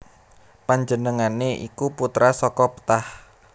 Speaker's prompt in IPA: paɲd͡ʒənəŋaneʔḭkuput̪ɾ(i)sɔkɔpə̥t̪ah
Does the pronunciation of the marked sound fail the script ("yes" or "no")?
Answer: yes